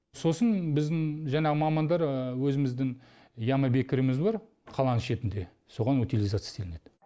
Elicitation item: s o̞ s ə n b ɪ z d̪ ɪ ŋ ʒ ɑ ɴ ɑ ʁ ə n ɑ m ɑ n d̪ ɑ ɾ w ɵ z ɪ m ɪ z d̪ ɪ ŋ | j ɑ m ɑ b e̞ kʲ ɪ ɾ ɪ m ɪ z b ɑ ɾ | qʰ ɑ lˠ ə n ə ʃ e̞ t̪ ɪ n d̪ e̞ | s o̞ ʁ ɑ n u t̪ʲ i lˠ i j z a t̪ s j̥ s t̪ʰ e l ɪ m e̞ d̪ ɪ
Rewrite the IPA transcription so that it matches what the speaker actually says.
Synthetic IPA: s o̞ s ə n b ɪ z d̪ ɪ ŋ ʒ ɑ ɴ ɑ ʁ ə m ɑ m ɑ n d̪ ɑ ɾ w ɵ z ɪ m ɪ z d̪ ɪ ŋ | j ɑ m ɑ b e̞ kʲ ɪ ɾ ɪ m ɪ z b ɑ ɾ | qʰ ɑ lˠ ɑ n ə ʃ e̞ t̪ ɪ n d̪ e̞ | s o̞ ʁ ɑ n u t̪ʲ i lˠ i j z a t̪ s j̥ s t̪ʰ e l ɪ n e̞ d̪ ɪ